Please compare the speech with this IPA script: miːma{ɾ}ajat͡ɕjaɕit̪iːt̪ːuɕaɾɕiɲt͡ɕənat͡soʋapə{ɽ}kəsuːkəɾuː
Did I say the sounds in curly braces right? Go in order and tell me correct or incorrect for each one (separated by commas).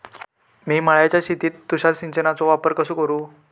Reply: incorrect, incorrect